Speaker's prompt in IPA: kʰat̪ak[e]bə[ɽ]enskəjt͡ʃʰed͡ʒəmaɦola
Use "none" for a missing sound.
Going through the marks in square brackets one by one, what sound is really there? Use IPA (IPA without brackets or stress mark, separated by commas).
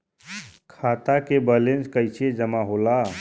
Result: e, l